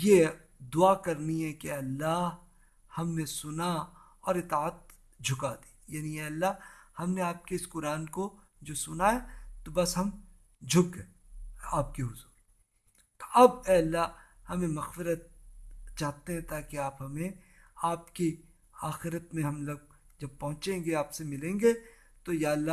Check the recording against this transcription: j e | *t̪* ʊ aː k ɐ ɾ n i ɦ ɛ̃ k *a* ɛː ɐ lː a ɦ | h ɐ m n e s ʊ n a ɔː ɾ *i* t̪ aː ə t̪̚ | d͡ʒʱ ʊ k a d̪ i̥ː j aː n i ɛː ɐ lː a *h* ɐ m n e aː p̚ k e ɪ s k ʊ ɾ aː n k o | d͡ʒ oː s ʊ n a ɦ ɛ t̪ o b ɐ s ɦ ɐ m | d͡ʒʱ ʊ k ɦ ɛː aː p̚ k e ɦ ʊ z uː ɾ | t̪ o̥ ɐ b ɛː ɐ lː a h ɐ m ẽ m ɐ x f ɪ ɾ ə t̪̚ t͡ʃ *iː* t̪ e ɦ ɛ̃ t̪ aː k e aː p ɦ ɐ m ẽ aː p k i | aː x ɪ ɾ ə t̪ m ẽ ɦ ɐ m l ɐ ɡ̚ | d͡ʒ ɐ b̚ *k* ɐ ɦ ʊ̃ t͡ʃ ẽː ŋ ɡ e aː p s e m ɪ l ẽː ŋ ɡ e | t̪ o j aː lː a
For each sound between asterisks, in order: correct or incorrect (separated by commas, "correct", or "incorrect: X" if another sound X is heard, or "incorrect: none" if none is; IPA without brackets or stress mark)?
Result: incorrect: d̪, incorrect: e, incorrect: ɪ, correct, incorrect: aː, incorrect: p